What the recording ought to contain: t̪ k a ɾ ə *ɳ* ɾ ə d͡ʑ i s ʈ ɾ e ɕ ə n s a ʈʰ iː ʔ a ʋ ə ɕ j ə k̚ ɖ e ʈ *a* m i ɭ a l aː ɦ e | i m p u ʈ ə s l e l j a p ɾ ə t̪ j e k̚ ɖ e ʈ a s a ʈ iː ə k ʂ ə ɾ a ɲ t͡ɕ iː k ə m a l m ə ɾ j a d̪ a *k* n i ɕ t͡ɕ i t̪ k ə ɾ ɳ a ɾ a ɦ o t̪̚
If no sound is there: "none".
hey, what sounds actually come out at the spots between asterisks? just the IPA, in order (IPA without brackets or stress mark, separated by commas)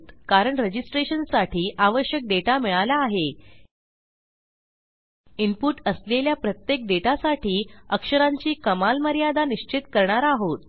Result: ɳ, a, none